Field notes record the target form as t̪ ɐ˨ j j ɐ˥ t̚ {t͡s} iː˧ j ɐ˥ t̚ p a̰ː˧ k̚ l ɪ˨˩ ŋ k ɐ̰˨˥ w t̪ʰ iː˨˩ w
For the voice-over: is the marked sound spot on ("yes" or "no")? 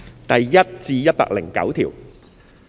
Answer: yes